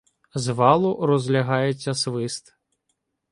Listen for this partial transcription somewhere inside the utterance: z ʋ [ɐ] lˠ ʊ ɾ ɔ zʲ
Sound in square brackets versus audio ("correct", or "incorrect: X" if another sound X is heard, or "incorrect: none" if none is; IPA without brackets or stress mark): incorrect: ɑ